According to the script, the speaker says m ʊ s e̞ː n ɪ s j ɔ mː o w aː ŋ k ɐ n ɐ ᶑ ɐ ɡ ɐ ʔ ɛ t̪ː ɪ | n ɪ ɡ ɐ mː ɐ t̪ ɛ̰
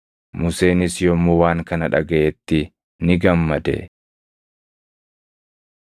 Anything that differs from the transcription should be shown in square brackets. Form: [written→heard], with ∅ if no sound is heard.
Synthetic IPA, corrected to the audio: m ʊ s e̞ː n ɪ s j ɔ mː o w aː ŋ k ɐ n ɐ ᶑ ɐ ɡ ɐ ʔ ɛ t̪ː ɪ | n ɪ ɡ ɐ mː ɐ [t̪→d̪] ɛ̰

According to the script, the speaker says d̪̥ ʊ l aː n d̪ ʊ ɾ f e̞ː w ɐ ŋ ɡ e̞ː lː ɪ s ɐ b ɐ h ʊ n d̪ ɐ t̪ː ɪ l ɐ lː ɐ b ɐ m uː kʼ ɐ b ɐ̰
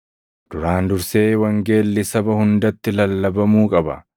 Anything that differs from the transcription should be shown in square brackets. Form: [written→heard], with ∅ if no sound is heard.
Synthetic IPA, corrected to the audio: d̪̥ ʊ [l→ɾ] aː n d̪ ʊ ɾ [f→s] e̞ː w ɐ ŋ ɡ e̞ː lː ɪ s ɐ b ɐ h ʊ n d̪ ɐ t̪ː ɪ l ɐ lː ɐ b ɐ m uː kʼ ɐ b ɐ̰

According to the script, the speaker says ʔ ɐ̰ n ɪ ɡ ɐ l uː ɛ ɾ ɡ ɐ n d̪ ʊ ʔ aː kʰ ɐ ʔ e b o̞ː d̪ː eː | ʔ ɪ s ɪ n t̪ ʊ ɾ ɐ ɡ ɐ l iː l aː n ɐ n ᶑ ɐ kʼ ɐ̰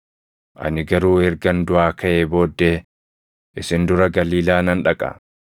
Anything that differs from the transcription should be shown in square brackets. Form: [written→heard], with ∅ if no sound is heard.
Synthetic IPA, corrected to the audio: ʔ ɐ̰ n ɪ ɡ ɐ [l→ɾ] uː ɛ ɾ ɡ ɐ n d̪ ʊ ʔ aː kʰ ɐ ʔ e b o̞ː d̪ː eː | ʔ ɪ s ɪ n [t̪→d̪] ʊ ɾ ɐ ɡ ɐ l iː l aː n ɐ n ᶑ ɐ kʼ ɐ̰

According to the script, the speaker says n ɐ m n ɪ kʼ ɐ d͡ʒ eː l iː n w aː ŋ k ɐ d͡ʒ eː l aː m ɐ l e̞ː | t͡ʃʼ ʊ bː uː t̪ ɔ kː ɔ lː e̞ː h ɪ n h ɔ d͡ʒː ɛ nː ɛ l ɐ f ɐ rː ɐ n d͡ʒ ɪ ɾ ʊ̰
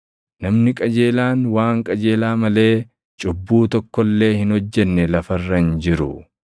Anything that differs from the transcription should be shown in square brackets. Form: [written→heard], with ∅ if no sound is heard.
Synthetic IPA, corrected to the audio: n ɐ m n ɪ kʼ ɐ d͡ʒ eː l [iː→aː] n w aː ŋ [k→kʼ] ɐ d͡ʒ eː l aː m ɐ l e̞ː | t͡ʃʼ ʊ bː uː t̪ ɔ kː ɔ lː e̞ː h ɪ n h ɔ d͡ʒː ɛ nː ɛ l ɐ f ɐ rː ɐ n d͡ʒ ɪ ɾ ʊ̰

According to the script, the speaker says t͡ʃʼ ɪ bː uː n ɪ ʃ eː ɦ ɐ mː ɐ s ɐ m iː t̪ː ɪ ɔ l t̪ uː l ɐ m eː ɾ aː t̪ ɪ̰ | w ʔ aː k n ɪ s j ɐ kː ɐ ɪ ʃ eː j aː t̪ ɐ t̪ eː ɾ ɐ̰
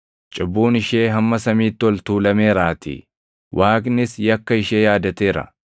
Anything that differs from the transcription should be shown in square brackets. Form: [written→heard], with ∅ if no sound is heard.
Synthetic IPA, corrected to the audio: t͡ʃʼ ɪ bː uː n ɪ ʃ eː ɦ ɐ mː ɐ s ɐ m iː t̪ː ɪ ɔ l t̪ uː l ɐ m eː ɾ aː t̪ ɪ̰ | w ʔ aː k n ɪ s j ɐ kː ɐ ɪ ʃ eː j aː [t̪→d̪] ɐ t̪ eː ɾ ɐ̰

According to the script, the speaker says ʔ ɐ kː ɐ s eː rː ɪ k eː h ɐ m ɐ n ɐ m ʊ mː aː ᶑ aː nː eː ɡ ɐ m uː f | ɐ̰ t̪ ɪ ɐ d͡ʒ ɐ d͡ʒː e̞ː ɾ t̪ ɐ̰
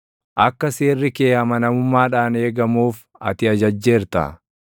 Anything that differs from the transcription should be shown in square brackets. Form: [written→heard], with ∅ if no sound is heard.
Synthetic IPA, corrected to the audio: ʔ ɐ kː ɐ s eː rː ɪ k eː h ɐ m ɐ n ɐ m ʊ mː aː ᶑ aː [nː→n] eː ɡ ɐ m uː f | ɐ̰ t̪ ɪ ɐ d͡ʒ ɐ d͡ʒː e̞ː ɾ t̪ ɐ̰

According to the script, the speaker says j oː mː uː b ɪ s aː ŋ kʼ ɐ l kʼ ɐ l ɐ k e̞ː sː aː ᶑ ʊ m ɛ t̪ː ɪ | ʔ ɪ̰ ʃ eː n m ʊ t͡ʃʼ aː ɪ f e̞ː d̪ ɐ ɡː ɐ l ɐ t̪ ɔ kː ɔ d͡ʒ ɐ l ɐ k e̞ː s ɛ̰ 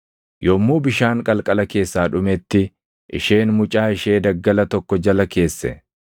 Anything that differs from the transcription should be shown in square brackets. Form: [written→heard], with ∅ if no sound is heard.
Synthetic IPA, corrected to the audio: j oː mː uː b ɪ [s→ʃ] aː ŋ kʼ ɐ l kʼ ɐ l ɐ k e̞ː sː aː ᶑ ʊ m ɛ t̪ː ɪ | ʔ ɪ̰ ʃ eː n m ʊ t͡ʃʼ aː ɪ [f→ʃ] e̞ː d̪ ɐ ɡː ɐ l ɐ t̪ ɔ kː ɔ d͡ʒ ɐ l ɐ k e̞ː [s→sː] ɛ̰

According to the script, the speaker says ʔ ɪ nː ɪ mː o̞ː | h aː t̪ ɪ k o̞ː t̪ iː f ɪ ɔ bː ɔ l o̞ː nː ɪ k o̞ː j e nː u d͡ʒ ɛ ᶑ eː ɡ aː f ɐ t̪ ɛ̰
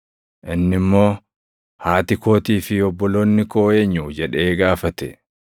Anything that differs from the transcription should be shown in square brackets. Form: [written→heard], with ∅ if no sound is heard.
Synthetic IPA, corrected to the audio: ʔ ɪ nː ɪ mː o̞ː | h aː t̪ ɪ k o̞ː t̪ iː f ɪ ɔ bː ɔ l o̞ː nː ɪ k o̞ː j e [nː→ɲː] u d͡ʒ ɛ ᶑ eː ɡ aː f ɐ t̪ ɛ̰

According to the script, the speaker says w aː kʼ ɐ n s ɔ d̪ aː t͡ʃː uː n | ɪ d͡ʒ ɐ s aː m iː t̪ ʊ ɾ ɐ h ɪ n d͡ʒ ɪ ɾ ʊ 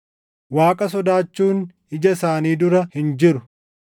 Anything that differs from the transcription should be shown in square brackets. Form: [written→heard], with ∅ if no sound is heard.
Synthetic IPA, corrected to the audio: w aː kʼ ɐ [n→∅] s ɔ d̪ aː t͡ʃː uː n | ɪ d͡ʒ ɐ s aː [m→n] iː [t̪→d̪] ʊ ɾ ɐ h ɪ n d͡ʒ ɪ ɾ ʊ

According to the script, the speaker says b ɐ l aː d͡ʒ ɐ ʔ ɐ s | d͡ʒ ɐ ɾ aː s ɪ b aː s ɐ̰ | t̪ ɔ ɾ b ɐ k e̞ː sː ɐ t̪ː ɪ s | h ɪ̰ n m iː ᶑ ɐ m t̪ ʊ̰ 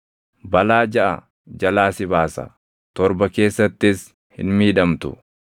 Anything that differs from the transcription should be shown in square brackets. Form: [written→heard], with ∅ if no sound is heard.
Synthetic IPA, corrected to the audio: b ɐ l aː d͡ʒ ɐ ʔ ɐ [s→∅] | d͡ʒ ɐ [ɾ→l] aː s ɪ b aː s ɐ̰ | t̪ ɔ ɾ b ɐ k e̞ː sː ɐ t̪ː ɪ s | h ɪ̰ n m iː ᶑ ɐ m t̪ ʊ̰

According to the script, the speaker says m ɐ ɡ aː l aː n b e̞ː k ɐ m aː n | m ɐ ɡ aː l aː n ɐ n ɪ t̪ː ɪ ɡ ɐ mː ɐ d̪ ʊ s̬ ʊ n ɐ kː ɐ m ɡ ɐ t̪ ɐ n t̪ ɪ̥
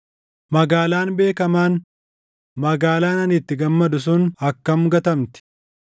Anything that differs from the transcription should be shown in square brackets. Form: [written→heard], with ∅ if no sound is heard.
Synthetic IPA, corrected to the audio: m ɐ ɡ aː l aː n b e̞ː k ɐ m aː n | m ɐ ɡ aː l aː n ɐ n ɪ t̪ː ɪ ɡ ɐ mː ɐ d̪ ʊ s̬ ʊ n ɐ kː ɐ m ɡ ɐ t̪ ɐ [n→m] t̪ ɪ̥

